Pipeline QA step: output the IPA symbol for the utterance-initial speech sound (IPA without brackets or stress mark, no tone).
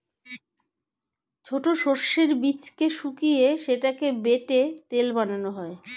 t͡ɕʰ